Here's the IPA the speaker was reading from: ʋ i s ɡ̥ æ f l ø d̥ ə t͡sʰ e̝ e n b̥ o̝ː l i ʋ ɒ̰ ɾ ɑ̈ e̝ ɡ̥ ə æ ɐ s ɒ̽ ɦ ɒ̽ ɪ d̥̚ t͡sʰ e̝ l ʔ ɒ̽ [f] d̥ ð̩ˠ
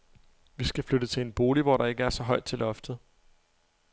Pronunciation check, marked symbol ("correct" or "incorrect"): correct